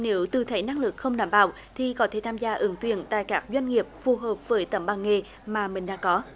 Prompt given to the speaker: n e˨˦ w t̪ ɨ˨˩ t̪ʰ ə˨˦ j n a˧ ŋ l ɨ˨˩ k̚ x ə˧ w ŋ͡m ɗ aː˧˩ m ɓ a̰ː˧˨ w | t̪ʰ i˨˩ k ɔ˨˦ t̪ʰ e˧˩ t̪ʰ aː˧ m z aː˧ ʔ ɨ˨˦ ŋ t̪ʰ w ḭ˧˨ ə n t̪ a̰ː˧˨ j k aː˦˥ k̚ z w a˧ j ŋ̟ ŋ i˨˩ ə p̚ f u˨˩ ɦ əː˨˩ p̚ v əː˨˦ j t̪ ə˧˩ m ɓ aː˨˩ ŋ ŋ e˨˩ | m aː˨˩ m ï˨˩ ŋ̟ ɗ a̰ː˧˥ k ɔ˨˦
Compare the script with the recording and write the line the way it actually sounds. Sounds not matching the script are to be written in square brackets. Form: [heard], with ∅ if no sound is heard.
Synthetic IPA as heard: n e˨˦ w t̪ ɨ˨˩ t̪ʰ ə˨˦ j n a˧ ŋ l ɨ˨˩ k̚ x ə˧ w ŋ͡m ɗ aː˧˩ m ɓ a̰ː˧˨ w | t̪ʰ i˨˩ k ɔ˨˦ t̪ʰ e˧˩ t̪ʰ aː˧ m z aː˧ ʔ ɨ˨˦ ŋ [t̪] w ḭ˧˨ ə n t̪ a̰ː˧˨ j k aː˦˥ k̚ z w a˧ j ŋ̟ ŋ i˨˩ ə p̚ f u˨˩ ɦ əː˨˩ p̚ v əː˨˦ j t̪ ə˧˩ m ɓ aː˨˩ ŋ ŋ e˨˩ | m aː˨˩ m ï˨˩ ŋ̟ ɗ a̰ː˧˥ k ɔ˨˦